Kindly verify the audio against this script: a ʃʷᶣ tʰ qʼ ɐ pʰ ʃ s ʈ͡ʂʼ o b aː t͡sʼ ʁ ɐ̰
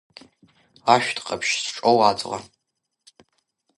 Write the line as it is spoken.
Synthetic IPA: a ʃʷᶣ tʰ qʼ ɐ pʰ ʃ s ʈ͡ʂʼ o w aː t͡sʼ ʁ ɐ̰